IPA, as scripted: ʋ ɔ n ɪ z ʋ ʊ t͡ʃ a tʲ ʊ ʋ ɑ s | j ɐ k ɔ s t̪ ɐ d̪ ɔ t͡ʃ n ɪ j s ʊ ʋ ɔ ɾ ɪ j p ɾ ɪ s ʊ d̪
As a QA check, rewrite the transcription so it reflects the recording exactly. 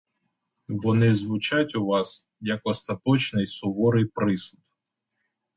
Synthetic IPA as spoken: ʋ ɔ n ɪ z ʋ ʊ t͡ʃ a tʲ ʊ ʋ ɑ s | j ɐ k ɔ s t̪ ɐ t̪ ɔ t͡ʃ n ɪ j s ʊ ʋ ɔ ɾ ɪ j p ɾ ɪ s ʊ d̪